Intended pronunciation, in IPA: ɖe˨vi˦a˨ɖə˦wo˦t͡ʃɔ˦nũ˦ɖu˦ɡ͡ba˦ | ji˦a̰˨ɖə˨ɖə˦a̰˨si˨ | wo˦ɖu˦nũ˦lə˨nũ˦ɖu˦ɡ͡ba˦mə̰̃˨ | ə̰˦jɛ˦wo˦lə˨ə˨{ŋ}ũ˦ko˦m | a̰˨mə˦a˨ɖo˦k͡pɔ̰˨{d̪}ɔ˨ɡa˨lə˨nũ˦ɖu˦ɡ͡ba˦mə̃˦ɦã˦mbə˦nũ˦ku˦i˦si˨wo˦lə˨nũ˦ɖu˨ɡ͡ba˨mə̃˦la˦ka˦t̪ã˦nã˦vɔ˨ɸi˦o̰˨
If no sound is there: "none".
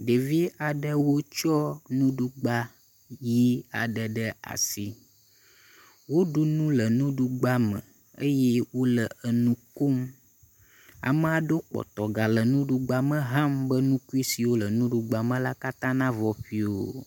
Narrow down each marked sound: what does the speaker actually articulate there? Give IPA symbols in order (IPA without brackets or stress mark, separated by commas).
n, t̪